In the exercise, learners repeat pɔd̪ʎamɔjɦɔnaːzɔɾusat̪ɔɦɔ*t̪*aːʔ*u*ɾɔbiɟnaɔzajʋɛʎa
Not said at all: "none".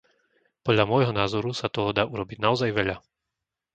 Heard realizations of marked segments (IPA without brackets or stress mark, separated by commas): d̪, u